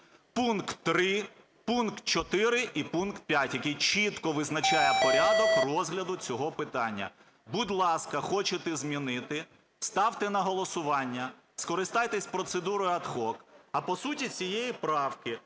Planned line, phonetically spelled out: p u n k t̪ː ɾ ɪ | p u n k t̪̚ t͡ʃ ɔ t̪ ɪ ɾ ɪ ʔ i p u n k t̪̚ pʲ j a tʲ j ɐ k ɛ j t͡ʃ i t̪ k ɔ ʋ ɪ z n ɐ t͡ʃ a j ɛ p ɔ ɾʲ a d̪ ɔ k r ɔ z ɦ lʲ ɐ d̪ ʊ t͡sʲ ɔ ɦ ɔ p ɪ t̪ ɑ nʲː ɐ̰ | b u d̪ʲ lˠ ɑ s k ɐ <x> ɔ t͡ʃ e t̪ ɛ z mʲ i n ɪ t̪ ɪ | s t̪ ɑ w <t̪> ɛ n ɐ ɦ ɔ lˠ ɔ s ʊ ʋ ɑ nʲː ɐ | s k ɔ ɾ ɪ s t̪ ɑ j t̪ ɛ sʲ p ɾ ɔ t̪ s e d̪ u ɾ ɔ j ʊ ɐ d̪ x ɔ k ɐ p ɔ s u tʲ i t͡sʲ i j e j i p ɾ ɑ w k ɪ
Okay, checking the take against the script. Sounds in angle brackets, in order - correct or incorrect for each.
correct, correct

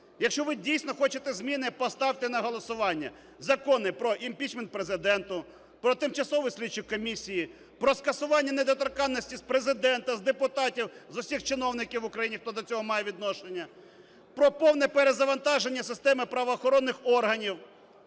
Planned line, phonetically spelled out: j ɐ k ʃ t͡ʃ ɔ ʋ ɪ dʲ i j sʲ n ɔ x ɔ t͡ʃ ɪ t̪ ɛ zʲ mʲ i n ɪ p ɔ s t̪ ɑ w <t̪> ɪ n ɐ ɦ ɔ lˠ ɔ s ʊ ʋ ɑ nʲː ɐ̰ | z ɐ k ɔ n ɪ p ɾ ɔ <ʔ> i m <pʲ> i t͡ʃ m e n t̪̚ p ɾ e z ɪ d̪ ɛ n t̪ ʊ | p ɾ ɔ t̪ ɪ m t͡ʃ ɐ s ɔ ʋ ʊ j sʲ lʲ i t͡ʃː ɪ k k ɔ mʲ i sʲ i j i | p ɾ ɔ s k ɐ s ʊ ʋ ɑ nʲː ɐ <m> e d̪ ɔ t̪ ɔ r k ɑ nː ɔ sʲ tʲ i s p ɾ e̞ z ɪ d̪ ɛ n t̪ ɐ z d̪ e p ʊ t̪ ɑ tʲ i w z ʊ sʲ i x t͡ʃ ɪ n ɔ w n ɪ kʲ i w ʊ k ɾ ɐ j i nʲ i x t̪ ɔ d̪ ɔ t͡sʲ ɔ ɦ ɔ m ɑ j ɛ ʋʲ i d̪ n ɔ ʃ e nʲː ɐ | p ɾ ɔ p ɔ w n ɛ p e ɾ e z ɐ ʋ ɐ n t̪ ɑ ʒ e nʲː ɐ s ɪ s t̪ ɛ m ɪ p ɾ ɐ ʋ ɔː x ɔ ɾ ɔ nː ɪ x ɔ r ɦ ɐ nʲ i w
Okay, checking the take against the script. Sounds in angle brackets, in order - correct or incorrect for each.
correct, correct, correct, incorrect: n

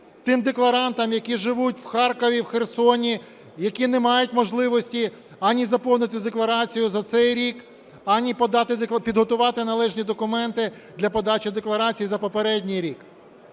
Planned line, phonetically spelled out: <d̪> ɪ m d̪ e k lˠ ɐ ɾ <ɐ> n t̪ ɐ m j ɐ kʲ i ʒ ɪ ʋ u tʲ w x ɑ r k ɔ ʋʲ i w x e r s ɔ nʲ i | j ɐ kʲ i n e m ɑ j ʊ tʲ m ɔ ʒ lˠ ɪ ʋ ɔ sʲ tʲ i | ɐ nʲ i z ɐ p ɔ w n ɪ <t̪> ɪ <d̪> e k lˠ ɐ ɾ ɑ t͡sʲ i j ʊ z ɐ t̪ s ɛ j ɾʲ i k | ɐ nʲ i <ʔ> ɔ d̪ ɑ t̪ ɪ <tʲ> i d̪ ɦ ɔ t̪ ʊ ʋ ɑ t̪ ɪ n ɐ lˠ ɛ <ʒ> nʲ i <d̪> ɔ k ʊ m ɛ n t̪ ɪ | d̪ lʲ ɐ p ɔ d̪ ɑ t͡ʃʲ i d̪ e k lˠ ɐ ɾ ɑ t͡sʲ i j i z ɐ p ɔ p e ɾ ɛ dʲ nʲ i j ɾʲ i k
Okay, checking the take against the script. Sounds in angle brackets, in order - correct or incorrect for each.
incorrect: t̪, incorrect: ɑ, correct, correct, incorrect: p, incorrect: pʲ, correct, correct

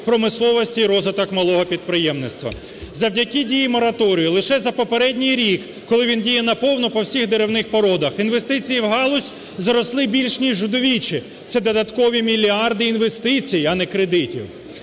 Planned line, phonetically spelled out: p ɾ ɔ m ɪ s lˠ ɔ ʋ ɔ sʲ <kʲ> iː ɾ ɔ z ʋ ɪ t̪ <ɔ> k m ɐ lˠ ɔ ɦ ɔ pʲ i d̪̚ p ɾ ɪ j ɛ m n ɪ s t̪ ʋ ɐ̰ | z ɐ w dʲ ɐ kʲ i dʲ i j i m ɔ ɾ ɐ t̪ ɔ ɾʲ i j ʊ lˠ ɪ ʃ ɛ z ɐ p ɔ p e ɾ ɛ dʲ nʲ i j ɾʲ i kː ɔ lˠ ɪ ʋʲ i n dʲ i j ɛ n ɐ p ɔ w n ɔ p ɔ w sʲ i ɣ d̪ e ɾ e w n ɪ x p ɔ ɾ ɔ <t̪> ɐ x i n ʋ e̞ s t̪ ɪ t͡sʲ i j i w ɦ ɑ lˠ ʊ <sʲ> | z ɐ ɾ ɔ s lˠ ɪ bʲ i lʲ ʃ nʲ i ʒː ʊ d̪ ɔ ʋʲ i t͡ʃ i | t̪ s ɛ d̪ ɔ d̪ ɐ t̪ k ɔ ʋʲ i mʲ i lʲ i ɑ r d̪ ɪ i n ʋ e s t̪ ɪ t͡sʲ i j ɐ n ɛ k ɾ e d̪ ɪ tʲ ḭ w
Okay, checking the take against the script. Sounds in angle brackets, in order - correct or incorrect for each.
incorrect: tʲ, correct, incorrect: d̪, correct

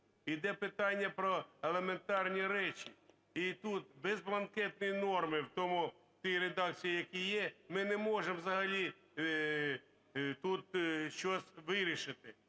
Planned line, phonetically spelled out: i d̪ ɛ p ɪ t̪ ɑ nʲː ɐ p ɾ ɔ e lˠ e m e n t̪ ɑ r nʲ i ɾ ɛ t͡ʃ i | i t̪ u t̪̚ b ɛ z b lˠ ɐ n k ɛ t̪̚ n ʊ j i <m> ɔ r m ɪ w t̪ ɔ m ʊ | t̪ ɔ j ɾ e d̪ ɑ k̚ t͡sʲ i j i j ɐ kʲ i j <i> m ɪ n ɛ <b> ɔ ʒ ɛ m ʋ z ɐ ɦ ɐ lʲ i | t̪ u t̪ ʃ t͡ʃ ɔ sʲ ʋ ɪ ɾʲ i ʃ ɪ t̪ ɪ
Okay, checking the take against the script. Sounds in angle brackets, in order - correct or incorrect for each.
incorrect: n, incorrect: ɛ, incorrect: m

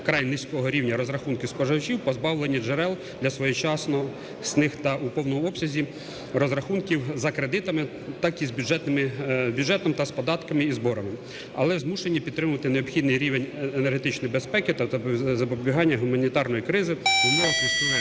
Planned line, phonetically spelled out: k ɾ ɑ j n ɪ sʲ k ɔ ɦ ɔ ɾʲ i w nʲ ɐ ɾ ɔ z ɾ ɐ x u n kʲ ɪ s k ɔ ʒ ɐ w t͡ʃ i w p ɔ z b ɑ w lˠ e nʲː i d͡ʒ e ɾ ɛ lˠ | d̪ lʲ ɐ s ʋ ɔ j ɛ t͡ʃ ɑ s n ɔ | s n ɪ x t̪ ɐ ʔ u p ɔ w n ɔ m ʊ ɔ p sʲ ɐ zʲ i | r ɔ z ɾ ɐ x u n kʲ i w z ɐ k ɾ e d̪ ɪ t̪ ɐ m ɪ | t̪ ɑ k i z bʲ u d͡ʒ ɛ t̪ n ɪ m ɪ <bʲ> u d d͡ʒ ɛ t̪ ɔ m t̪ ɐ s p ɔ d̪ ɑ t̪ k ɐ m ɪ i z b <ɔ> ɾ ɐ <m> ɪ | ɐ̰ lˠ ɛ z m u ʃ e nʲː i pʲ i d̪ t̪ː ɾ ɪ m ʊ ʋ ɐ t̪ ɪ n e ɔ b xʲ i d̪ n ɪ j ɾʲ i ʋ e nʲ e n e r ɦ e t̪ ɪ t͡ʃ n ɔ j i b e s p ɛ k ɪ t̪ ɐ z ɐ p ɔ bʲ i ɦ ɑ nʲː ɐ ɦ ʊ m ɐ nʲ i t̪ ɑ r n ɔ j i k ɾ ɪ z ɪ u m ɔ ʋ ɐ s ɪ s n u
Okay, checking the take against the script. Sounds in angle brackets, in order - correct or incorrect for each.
correct, correct, correct

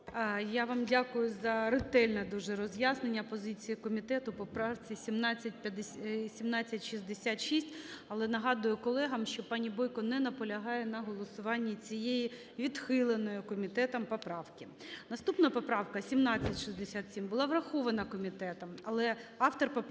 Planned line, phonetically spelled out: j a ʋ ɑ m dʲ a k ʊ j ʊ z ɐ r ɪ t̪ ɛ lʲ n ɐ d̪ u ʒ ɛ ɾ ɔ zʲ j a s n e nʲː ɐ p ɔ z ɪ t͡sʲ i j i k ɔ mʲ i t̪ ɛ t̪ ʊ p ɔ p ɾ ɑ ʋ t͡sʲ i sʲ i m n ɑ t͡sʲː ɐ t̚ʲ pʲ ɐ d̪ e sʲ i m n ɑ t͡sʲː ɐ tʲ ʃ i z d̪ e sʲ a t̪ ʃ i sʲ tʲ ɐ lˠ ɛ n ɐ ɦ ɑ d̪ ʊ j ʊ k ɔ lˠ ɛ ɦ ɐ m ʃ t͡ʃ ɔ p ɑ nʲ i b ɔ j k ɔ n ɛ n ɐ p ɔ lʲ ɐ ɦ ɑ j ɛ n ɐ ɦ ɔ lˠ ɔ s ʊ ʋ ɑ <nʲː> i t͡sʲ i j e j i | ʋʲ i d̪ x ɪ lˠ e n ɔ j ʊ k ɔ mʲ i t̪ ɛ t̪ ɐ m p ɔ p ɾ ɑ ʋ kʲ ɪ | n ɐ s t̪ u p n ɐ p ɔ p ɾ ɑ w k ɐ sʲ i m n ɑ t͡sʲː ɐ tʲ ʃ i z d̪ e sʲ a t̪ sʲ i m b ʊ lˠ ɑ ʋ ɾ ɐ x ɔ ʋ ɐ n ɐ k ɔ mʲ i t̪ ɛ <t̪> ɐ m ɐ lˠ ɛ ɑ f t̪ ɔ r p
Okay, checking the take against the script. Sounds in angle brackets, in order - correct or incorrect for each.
correct, correct

